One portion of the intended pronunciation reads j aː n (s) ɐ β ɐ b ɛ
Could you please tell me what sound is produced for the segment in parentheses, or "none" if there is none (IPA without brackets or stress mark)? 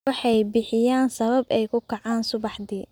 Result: s